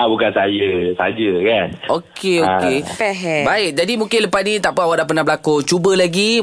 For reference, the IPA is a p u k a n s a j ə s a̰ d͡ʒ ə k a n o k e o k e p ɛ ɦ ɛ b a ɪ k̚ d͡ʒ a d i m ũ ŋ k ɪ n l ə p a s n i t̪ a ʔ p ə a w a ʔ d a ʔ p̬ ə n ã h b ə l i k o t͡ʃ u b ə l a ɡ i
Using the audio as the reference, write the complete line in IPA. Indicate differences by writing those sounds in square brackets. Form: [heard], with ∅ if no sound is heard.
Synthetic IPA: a [b] u k a n s a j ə s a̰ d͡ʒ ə k a n o k e o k e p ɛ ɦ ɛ b a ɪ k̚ d͡ʒ a d i m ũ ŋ k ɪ n l ə p a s n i t̪ a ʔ p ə a w a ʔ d a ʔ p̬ ə n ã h b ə l [a] k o t͡ʃ u b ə l a ɡ i